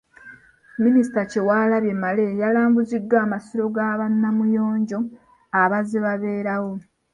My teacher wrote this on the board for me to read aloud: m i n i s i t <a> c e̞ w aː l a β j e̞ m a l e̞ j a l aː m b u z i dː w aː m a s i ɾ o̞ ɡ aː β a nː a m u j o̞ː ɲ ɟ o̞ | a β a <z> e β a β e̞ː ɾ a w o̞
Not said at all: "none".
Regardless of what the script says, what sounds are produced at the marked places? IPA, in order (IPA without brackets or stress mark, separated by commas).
a, z